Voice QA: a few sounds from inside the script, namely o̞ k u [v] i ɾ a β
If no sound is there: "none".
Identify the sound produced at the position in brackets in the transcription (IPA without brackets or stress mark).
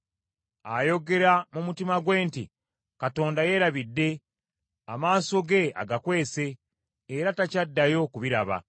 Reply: β